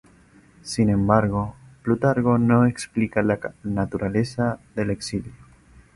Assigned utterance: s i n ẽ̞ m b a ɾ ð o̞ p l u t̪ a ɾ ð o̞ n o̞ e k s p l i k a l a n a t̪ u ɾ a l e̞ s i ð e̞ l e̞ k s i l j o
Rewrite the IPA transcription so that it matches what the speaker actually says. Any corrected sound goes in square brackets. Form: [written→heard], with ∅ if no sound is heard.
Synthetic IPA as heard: s i n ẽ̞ m b a ɾ [ð→ɣ] o̞ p l u t̪ a ɾ [ð→ɣ] o̞ n o̞ e k s p l i k a l a n a t̪ u ɾ a l e̞ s [i→a] ð e̞ l e̞ k s i l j o

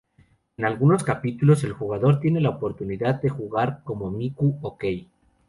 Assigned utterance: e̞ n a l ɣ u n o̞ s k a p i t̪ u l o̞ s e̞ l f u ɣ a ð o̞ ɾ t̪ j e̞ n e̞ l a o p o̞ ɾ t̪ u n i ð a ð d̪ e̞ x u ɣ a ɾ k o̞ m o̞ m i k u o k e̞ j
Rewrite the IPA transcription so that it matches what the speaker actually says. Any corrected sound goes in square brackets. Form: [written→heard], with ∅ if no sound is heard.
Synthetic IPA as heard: e̞ n a l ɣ u n o̞ s k a p i t̪ u l o̞ s e̞ l [f→x] u ɣ a ð o̞ ɾ t̪ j e̞ n e̞ l a o p o̞ ɾ t̪ u n i ð a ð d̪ e̞ x u ɣ a ɾ k o̞ m o̞ m i k u o k e̞ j

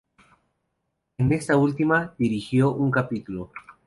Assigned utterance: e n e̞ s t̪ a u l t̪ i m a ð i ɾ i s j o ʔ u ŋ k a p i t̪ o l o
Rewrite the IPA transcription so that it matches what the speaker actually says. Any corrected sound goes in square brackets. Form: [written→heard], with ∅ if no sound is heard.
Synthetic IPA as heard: e n e̞ s t̪ a u l t̪ i m a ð i ɾ i [s→x] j o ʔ u ŋ k a p i t̪ [o→u] l o

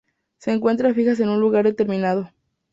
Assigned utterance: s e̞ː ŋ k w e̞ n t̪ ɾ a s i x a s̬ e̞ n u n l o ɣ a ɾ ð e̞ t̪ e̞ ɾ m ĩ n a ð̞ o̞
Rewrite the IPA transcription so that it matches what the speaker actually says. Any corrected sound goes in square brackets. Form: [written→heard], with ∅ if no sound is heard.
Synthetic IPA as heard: s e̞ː ŋ k w e̞ n t̪ ɾ a [s→f] i x a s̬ e̞ n u n l [o→u] ɣ a ɾ ð e̞ t̪ e̞ ɾ m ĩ n a ð̞ o̞

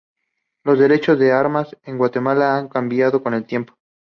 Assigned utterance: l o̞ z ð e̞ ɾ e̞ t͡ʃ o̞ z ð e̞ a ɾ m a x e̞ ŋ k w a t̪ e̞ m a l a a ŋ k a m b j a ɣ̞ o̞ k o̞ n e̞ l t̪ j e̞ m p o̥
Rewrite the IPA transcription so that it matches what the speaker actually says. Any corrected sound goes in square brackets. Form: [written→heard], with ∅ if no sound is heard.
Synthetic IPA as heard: l o̞ z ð e̞ ɾ e̞ t͡ʃ o̞ z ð e̞ a ɾ m a [x→s] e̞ ŋ [k→ɡ] w a t̪ e̞ m a l a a ŋ k a m b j a [ɣ̞→ð̞] o̞ k o̞ n e̞ l t̪ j e̞ m p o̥

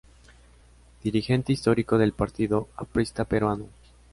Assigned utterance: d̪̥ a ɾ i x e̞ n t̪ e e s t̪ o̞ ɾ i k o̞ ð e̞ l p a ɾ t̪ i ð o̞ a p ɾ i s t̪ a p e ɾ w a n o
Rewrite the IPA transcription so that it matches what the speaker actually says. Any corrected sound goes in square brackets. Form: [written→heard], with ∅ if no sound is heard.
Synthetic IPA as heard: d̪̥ [a→i] ɾ i x e̞ n t̪ e [e→i] s t̪ o̞ ɾ i k o̞ ð e̞ l p a ɾ t̪ i ð o̞ a p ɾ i s t̪ a p e ɾ w a n o

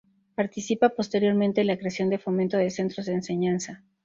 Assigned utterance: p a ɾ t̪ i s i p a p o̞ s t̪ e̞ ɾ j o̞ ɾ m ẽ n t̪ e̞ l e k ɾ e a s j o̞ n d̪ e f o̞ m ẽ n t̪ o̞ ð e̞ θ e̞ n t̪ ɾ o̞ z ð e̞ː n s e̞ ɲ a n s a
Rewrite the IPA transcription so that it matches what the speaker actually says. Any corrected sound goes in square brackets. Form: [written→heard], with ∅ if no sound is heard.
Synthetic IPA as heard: p a ɾ t̪ i s i p a p o̞ s t̪ e̞ ɾ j o̞ ɾ m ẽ n t̪ e̞ l [e→a] k ɾ e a s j o̞ n d̪ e f o̞ m ẽ n t̪ o̞ ð e̞ [θ→s] e̞ n t̪ ɾ o̞ z ð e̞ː n s e̞ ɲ a n s a

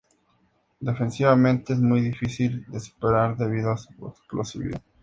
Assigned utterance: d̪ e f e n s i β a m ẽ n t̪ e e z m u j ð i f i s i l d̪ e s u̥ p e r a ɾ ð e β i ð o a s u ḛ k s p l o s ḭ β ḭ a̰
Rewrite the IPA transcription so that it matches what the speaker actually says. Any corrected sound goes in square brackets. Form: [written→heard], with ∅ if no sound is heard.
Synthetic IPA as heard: d̪ e f e n s i β a m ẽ n t̪ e e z m u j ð i f i s i l d̪ e s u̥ p e [r→ɾ] a ɾ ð e β i ð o a s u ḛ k s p l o s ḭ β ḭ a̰

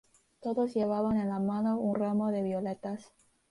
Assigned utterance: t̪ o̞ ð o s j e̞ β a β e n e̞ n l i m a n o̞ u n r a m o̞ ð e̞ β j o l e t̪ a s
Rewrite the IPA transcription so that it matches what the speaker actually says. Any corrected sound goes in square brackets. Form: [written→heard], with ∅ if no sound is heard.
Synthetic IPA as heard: t̪ o̞ ð o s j e̞ β a β [e→a] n e̞ n l [i→a] m a n o̞ u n r a m o̞ ð e̞ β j o l e t̪ a s

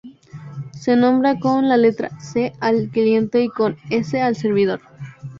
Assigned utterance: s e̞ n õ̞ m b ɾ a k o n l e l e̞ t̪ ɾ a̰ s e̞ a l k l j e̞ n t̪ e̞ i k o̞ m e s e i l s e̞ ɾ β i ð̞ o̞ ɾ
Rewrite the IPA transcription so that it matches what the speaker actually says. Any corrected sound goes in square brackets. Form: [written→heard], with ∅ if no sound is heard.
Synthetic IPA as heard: s e̞ n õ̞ m b ɾ a k o n l [e→a] l e̞ t̪ ɾ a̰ s e̞ a l k l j e̞ n t̪ e̞ i k o̞ [m→n] e s e [i→a] l s e̞ ɾ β i ð̞ o̞ ɾ

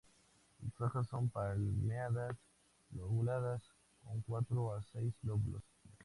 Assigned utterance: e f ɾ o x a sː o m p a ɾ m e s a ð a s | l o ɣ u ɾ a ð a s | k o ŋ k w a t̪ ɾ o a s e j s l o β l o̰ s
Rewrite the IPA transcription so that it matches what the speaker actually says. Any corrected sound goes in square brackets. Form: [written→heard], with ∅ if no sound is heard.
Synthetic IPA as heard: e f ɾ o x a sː o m p a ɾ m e [s→∅] a ð a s | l o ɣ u [ɾ→l] a ð a s | k o ŋ k w a t̪ ɾ o a s e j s l o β l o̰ s

